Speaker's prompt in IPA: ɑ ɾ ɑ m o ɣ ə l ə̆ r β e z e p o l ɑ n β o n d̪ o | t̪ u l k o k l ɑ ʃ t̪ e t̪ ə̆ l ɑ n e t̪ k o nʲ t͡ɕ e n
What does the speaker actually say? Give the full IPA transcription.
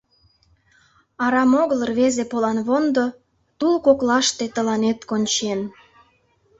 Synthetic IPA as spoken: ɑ ɾ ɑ m o ɣ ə l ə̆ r β e z e p o l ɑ n β o n d̪ o | t̪ u l k o k l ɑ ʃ t̪ e t̪ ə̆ l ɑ n e t̪ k o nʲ t͡ɕ e n